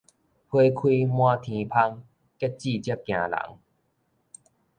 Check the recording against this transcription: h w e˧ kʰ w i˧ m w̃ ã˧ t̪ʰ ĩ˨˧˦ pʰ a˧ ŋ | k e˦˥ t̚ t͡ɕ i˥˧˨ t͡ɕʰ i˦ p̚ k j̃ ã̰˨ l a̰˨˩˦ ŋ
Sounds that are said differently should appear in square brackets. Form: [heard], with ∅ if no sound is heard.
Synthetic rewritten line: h w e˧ kʰ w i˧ m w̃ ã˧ t̪ʰ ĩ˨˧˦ pʰ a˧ ŋ | k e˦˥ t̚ t͡ɕ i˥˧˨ [t͡ɕ] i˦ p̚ k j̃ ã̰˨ l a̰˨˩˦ ŋ